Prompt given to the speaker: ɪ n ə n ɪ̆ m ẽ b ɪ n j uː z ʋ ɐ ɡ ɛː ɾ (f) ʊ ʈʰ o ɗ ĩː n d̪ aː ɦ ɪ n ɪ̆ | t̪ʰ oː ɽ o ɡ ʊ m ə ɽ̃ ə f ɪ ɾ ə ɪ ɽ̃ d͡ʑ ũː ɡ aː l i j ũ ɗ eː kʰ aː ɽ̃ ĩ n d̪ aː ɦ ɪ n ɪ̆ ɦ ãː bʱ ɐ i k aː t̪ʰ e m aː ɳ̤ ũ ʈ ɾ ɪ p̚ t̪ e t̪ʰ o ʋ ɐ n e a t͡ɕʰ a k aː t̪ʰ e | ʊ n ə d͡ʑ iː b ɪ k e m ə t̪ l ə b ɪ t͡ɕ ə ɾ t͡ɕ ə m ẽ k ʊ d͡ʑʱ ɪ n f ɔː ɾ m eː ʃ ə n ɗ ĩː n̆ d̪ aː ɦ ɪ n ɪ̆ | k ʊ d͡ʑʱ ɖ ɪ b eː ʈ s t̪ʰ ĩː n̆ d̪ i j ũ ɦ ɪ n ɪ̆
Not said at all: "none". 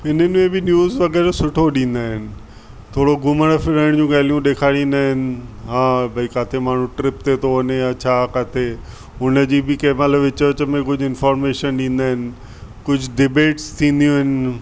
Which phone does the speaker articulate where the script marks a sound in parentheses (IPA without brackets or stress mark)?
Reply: s